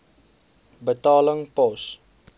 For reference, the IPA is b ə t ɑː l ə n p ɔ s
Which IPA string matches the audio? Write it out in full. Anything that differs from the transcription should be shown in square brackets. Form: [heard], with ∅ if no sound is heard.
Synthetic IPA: b ə t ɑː l ə [ŋ] p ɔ s